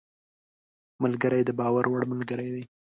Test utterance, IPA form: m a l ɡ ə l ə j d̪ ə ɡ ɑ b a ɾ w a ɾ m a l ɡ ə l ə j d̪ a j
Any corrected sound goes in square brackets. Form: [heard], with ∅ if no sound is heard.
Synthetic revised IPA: m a l ɡ ə [ɾ] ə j d̪ ə [b] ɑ [w] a ɾ w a [ɽ] m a l ɡ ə [ɾ] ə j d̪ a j